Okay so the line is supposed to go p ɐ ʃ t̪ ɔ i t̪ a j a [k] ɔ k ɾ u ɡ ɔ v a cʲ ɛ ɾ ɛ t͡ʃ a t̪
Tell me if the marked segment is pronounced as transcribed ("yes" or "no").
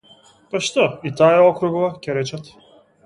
no